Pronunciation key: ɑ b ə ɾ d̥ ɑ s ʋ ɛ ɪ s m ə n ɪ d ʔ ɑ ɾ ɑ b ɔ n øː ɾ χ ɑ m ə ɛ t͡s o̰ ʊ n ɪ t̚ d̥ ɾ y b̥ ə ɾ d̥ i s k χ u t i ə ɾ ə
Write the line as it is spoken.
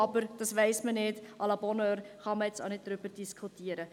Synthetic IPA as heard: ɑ b ə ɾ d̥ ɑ s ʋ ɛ ɪ s m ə n ɪ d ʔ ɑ l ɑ b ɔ n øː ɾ χ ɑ m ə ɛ t͡s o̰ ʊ n ɪ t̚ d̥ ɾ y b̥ ə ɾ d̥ i s k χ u t i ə ɾ ə